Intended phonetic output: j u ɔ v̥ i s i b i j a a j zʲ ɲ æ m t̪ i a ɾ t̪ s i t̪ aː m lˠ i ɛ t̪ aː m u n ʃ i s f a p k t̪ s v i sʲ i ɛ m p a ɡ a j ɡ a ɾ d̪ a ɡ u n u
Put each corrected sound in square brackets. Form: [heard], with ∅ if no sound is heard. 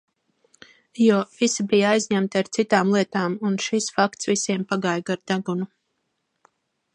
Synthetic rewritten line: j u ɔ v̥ i s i b i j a a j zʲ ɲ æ m t̪ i a ɾ t̪ s i t̪ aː m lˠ i ɛ t̪ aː m u n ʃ i s f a [∅] k t̪ s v i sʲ i ɛ m p a ɡ a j ɡ a ɾ d̪ a ɡ u n u